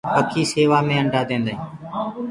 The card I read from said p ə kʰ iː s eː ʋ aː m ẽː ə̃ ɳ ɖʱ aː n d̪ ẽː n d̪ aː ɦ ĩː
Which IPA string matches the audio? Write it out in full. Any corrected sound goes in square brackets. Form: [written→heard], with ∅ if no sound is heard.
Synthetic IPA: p ə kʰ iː s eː ʋ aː m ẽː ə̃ ɳ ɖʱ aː [n→∅] d̪ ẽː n d̪ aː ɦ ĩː